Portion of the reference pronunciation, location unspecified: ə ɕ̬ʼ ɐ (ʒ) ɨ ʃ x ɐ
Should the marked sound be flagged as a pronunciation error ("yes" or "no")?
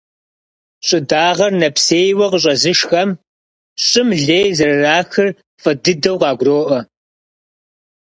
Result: yes